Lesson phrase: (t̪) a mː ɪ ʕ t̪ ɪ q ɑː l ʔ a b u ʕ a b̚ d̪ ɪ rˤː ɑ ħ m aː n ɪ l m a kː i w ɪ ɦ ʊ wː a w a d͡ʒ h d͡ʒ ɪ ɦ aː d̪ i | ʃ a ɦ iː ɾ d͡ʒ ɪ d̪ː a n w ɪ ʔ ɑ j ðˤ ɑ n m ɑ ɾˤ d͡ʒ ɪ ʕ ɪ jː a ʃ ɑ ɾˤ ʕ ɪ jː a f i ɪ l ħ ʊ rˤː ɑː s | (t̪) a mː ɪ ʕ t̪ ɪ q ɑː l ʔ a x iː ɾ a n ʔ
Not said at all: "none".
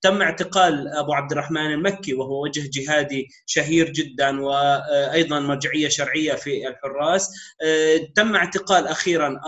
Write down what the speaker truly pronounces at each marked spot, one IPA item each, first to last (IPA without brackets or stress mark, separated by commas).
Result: t̪, t̪